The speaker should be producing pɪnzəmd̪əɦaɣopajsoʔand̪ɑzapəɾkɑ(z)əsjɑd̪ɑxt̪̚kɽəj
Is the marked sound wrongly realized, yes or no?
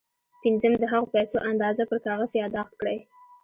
yes